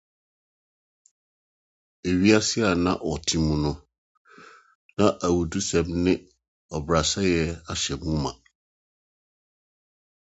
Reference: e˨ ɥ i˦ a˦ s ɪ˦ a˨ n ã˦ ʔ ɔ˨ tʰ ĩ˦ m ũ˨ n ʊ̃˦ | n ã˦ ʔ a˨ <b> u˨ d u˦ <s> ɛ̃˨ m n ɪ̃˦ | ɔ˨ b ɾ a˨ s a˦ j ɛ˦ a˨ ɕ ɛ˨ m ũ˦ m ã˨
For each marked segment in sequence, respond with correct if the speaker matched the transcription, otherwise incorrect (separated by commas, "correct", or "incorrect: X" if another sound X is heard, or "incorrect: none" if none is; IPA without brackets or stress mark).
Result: incorrect: w, correct